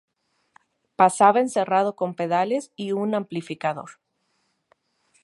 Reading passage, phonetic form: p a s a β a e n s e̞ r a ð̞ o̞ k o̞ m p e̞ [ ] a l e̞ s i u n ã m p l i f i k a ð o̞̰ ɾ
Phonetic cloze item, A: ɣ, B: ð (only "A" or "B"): B